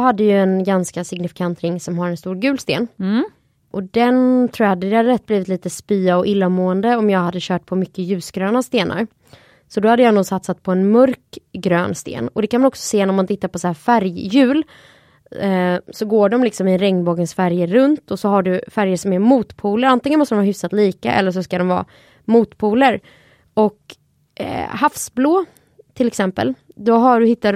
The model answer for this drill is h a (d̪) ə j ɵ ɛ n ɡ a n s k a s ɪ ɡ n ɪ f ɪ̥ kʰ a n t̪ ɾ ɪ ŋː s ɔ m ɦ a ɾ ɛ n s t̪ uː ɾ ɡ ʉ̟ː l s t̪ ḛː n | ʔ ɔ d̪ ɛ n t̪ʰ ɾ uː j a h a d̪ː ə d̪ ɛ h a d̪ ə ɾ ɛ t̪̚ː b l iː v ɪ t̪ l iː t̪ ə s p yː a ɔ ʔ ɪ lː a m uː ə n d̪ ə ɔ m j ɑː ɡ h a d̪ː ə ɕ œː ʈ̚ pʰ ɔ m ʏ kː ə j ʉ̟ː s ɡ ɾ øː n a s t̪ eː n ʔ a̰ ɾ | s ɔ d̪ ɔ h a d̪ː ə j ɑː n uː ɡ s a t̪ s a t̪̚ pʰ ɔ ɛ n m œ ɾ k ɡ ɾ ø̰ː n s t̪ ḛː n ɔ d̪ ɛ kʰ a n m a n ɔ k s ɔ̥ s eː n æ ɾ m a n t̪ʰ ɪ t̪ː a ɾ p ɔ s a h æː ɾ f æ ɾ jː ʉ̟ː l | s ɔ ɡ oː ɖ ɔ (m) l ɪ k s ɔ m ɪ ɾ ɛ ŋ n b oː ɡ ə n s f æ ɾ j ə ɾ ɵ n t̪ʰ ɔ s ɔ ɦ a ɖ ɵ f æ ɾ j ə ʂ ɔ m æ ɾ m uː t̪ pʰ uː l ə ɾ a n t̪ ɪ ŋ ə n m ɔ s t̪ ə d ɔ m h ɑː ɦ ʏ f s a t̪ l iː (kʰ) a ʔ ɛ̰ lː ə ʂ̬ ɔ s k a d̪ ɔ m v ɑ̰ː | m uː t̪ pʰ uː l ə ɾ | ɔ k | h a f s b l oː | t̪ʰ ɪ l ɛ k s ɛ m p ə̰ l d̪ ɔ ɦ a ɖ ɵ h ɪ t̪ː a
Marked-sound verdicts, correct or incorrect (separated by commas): incorrect, correct, incorrect